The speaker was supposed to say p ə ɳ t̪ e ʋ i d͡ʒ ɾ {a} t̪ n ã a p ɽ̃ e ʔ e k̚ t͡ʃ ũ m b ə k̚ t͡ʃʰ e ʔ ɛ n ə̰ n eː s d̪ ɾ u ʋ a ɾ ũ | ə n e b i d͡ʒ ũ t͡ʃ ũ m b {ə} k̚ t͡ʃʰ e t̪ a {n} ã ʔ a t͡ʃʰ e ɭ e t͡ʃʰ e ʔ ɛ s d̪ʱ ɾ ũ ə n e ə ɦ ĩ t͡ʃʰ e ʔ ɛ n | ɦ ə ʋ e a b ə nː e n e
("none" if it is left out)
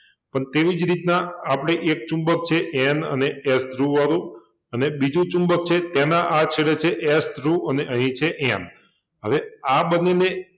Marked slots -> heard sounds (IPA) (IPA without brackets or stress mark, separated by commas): i, ə, n